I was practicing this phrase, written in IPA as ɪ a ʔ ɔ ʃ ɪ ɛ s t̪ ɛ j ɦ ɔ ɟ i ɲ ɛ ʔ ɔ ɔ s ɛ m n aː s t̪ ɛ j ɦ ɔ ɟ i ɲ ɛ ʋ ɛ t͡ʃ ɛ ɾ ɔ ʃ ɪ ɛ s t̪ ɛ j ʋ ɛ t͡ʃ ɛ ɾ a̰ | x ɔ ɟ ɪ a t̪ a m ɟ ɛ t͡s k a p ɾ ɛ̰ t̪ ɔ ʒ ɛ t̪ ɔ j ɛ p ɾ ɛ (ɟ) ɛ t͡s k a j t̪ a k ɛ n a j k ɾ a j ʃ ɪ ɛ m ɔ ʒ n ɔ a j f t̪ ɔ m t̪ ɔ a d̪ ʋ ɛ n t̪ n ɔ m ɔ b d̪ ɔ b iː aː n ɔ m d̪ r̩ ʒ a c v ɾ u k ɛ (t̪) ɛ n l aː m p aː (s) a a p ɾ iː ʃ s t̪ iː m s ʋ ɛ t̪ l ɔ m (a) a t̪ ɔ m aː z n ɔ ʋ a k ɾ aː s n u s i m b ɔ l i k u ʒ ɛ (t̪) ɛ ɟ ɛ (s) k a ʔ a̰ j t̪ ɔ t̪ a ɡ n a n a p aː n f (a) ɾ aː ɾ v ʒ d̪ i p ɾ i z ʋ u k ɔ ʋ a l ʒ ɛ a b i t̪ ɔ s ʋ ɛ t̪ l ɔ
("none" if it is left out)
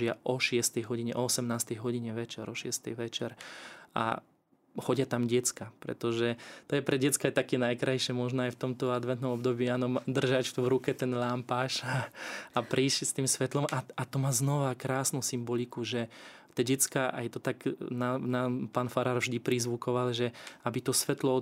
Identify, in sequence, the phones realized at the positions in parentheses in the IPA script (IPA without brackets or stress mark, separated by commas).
ɟ, t̪, ʃ, a, t̪, t͡s, a